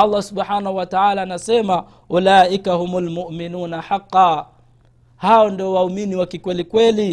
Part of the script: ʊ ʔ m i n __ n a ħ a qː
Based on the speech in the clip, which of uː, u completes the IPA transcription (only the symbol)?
uː